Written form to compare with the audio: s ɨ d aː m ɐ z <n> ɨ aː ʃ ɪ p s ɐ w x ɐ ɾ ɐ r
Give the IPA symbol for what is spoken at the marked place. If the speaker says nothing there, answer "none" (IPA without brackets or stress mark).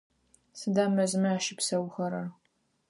m